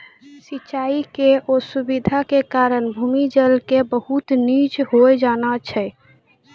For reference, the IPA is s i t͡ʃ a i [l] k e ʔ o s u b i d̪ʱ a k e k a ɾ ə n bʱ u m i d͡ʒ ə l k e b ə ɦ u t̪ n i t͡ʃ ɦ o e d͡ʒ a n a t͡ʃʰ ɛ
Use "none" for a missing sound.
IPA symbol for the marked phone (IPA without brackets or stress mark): none